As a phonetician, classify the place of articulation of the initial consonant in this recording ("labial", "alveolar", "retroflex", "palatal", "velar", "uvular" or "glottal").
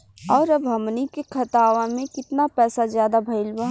alveolar